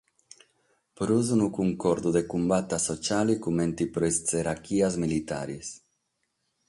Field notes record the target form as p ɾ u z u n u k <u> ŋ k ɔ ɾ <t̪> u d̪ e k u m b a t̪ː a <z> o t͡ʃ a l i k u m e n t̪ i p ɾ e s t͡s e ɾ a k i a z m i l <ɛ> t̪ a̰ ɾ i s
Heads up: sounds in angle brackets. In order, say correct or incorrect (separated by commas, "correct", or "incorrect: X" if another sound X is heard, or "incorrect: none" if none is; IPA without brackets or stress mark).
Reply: correct, incorrect: d̪, incorrect: s, incorrect: i